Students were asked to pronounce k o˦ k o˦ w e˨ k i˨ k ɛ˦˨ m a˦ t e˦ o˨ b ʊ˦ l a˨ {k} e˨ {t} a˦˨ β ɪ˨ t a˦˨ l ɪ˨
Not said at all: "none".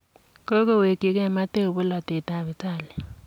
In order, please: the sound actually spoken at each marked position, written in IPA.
t, t

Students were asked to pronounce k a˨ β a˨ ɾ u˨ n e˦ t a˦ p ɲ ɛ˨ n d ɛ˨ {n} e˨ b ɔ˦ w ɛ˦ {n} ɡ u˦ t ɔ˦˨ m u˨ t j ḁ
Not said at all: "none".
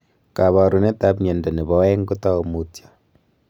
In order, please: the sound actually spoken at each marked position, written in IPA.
n, ŋ

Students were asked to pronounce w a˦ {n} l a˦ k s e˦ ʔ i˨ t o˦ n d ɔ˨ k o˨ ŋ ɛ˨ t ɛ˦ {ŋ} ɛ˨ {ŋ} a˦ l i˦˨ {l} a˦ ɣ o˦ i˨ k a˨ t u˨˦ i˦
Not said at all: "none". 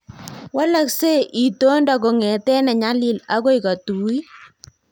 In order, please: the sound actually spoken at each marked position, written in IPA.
none, n, ɲ, l

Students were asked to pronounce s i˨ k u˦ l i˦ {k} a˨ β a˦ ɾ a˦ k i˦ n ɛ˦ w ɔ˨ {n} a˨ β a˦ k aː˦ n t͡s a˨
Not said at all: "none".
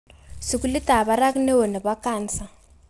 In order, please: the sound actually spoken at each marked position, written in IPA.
t, n

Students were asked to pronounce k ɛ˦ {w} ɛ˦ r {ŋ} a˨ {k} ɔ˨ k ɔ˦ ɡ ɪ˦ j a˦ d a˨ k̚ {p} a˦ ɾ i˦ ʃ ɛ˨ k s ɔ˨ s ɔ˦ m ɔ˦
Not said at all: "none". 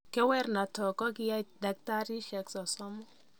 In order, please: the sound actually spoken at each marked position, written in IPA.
w, n, t, t

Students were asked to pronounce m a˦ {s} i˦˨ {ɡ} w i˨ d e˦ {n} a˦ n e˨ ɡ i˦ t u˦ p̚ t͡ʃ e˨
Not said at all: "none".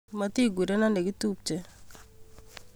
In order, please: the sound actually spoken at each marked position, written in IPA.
t, ɡ, n

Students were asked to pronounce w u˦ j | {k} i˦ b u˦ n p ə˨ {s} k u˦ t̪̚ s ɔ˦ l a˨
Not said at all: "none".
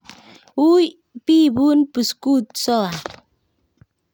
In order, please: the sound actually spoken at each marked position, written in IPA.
p, s

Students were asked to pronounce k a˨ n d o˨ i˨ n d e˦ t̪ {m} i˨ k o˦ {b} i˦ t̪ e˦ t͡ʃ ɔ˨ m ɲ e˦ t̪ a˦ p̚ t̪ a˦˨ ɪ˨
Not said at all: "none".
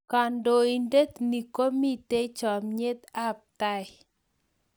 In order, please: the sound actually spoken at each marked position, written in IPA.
n, m

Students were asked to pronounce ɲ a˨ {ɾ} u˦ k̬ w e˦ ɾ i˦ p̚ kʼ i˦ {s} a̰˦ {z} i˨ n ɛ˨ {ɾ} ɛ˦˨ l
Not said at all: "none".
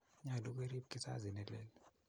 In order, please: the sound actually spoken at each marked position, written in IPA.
l, s, z, l

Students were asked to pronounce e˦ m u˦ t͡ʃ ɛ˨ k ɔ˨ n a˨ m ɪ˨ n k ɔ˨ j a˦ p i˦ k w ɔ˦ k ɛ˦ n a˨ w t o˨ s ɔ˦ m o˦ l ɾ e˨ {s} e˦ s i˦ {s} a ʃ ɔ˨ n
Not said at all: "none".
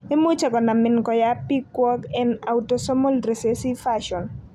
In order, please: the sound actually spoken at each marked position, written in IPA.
s, f

